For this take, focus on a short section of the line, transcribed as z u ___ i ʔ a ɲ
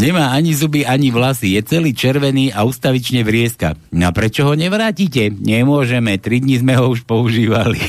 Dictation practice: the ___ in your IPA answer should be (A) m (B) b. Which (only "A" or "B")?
B